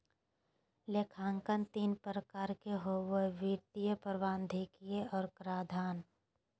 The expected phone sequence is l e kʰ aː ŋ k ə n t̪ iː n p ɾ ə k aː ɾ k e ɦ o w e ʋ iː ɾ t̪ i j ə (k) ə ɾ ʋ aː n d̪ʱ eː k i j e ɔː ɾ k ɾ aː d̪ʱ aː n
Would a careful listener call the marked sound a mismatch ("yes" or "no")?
yes